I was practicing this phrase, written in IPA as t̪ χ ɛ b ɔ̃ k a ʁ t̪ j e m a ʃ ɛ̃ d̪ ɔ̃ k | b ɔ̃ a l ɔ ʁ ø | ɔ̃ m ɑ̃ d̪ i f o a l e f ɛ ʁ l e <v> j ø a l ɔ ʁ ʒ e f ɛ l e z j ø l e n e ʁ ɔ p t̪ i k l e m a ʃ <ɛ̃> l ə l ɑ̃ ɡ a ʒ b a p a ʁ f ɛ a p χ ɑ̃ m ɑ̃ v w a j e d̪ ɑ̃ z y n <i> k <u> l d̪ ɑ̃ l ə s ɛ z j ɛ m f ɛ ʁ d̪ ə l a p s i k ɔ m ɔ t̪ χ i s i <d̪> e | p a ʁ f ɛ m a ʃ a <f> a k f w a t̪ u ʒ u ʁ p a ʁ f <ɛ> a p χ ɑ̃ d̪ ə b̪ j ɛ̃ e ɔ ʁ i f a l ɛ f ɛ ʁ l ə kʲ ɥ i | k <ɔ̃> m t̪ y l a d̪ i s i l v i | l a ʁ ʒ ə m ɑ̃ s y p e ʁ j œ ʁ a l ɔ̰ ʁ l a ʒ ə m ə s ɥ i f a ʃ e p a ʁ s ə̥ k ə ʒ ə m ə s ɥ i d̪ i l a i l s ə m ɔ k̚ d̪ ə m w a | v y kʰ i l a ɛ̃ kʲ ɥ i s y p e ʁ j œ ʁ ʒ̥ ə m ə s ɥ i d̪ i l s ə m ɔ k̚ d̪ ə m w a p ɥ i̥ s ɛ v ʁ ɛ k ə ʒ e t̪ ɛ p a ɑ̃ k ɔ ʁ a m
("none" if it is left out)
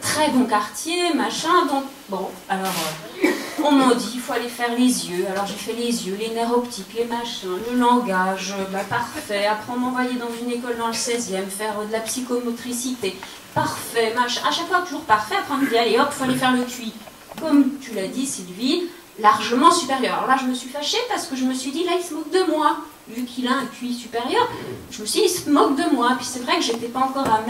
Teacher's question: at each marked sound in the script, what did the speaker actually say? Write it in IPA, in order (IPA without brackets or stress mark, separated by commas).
z, ɛ̃, e, ɔ, t̪, ʃ, ɛ, ɔ